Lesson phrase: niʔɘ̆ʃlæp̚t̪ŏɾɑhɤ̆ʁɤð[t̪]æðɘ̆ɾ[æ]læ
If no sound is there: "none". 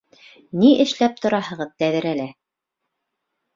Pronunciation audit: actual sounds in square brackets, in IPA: t̪, æ

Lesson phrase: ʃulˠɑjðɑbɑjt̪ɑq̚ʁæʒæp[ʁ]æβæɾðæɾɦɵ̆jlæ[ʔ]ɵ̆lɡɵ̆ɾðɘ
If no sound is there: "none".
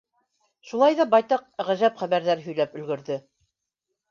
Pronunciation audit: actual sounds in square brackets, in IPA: χ, p

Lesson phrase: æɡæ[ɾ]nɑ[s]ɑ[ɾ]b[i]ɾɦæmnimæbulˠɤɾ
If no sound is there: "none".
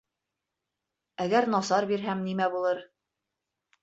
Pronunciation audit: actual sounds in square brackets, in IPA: ɾ, s, ɾ, i

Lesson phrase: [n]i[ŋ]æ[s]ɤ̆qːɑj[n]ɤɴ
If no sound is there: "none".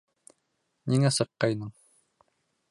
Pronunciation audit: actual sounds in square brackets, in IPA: n, ŋ, s, n

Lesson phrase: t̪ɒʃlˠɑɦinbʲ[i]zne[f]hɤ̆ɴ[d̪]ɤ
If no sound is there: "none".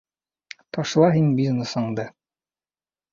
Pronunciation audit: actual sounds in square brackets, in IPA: i, s, d̪

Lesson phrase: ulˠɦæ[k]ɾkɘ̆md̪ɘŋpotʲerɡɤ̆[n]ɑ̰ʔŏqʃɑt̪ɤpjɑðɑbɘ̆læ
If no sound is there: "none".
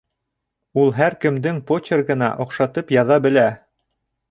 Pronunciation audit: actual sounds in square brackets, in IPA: none, n

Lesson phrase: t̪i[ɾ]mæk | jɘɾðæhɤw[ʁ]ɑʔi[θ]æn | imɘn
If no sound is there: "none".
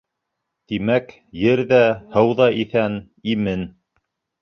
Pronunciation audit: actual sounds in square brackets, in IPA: none, ð, θ

